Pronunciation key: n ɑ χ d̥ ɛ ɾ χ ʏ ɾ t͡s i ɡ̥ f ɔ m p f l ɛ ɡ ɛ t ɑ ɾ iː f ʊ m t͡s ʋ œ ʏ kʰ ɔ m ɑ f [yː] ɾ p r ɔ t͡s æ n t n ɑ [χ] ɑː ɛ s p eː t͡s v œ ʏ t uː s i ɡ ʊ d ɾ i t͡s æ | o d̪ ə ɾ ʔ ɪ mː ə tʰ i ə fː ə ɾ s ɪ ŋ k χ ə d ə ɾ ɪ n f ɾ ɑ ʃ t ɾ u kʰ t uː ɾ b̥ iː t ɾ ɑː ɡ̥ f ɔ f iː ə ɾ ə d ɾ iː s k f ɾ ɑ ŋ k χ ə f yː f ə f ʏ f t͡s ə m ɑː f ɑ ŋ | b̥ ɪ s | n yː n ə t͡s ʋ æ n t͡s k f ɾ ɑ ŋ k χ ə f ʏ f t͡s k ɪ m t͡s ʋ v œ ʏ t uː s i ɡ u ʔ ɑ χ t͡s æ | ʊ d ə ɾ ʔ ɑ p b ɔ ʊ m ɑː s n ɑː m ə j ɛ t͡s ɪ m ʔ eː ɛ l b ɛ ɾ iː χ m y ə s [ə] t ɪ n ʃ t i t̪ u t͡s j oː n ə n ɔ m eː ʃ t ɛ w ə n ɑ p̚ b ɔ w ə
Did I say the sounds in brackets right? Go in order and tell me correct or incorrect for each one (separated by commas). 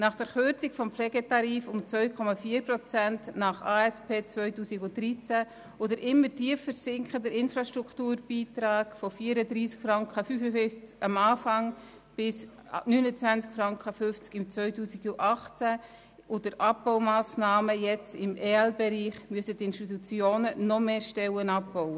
incorrect, correct, correct